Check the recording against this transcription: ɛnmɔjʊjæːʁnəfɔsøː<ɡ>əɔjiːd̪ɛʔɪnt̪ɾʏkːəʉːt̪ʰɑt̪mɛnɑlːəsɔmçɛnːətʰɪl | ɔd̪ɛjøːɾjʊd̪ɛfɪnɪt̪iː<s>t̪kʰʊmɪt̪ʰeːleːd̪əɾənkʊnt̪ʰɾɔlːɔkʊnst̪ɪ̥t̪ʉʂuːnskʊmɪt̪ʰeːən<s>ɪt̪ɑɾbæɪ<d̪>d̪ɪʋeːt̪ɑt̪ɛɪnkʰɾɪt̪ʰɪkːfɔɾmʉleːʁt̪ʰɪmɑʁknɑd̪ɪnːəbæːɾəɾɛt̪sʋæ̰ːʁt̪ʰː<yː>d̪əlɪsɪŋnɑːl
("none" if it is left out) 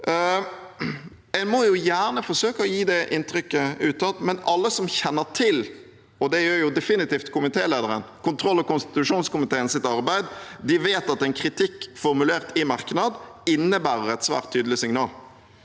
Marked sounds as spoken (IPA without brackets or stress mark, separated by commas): k, f, s, d̪, yː